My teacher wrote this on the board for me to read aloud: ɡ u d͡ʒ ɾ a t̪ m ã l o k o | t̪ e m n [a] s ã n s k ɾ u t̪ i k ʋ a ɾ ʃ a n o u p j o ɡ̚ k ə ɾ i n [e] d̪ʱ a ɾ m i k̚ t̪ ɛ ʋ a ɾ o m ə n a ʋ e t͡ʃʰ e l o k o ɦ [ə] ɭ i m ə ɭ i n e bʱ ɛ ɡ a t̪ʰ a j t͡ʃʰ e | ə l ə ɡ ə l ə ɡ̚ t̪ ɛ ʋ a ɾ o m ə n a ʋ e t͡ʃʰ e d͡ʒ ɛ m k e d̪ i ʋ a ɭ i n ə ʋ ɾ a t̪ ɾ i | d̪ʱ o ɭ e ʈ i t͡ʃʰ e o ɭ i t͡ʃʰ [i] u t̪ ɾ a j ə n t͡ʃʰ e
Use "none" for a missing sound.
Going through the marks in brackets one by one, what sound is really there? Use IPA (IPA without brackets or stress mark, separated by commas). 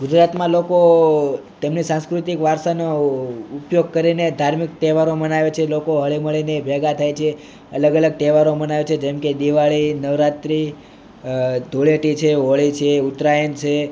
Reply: i, e, ə, e